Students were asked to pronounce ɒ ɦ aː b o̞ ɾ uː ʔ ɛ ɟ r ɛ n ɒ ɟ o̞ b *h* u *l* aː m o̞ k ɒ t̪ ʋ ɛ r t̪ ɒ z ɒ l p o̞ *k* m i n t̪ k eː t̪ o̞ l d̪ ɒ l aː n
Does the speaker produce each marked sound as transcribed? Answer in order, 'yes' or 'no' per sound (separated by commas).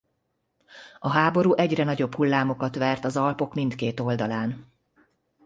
yes, no, yes